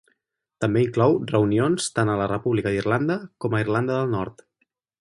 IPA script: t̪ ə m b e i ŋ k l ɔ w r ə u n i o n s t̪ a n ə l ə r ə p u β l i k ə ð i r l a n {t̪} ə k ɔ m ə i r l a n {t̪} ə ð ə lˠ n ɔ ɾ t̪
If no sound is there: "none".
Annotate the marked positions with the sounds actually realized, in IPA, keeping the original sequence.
d̪, d̪

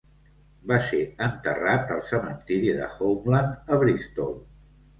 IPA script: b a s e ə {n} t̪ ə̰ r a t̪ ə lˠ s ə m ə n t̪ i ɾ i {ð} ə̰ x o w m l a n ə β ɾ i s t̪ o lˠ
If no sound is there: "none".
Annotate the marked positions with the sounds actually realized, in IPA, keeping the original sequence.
n, ð

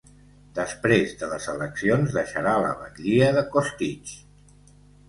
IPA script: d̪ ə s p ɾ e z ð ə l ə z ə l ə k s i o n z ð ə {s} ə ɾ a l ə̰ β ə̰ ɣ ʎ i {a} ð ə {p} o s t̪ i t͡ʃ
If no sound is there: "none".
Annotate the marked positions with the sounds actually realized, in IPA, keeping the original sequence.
ʃ, ə, k

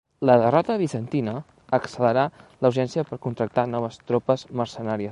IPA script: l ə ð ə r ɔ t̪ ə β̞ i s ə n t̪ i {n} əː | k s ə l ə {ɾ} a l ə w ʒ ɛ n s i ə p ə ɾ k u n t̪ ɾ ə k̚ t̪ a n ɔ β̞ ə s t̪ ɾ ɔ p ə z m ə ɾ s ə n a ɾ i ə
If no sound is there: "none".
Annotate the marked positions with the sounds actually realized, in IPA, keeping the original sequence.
n, ɾ

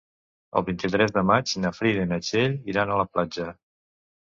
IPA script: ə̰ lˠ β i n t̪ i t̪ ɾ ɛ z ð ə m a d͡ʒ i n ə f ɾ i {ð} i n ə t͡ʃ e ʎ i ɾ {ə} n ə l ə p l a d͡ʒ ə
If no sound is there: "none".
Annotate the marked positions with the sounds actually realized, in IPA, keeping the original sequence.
ð, a

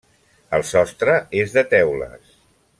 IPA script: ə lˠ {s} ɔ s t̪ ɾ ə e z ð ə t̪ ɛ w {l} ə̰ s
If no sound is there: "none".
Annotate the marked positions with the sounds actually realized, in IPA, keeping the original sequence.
s, l

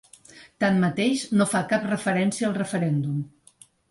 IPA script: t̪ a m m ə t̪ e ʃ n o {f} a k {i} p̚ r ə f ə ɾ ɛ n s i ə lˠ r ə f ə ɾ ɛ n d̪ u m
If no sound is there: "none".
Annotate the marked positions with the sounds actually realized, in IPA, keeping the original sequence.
f, a

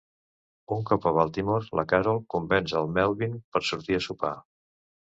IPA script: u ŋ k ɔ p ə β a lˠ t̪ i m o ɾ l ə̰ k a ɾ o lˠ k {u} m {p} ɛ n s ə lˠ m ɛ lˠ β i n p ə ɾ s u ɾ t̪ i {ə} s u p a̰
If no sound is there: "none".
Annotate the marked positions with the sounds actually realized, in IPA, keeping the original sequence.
u, b, ə

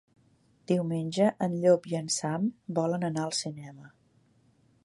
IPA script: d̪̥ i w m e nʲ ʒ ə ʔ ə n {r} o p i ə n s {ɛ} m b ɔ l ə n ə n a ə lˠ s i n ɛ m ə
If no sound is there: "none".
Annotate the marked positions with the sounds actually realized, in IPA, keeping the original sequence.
ʎ, a

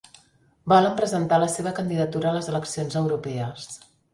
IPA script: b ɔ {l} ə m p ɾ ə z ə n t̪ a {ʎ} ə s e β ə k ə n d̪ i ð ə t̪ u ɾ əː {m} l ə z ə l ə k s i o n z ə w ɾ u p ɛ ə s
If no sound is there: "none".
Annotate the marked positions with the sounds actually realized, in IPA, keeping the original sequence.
l, l, none

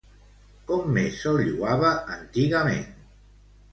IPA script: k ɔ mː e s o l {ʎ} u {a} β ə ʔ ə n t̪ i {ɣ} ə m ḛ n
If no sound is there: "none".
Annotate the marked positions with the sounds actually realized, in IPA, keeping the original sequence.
ʎ, a, ɣ

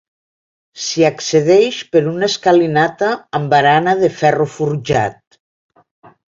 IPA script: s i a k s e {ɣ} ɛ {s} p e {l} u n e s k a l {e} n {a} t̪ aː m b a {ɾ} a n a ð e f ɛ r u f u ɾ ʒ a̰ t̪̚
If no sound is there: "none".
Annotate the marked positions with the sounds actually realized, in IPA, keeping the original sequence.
ð, ʃ, ɾ, i, a, ɾ

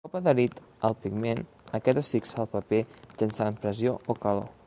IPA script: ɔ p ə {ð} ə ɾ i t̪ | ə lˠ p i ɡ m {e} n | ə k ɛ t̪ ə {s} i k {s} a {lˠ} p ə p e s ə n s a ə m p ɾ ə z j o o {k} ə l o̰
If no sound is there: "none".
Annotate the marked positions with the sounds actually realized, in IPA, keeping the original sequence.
ð, e, s, s, lˠ, k

